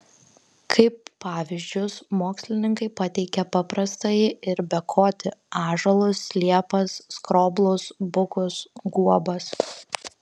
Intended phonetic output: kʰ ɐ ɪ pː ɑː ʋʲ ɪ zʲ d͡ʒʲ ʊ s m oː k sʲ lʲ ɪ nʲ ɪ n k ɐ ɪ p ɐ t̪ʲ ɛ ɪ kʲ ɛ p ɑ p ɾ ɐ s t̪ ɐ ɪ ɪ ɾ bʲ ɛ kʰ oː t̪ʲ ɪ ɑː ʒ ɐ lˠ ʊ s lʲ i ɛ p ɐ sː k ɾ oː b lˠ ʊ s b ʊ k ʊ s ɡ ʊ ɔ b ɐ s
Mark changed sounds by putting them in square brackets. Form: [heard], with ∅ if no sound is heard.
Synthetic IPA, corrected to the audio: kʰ ɐ ɪ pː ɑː ʋʲ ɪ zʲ d͡ʒʲ ʊ s m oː k sʲ lʲ ɪ nʲ ɪ [ŋ] k ɐ ɪ p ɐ t̪ʲ ɛ ɪ kʲ ɛ p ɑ p ɾ ɐ s t̪ ɐ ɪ ɪ ɾ bʲ ɛ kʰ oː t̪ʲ ɪ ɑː ʒ ɐ lˠ ʊ s lʲ i ɛ p ɐ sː k ɾ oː b lˠ ʊ s b ʊ k ʊ s ɡ [u] ɔ b ɐ s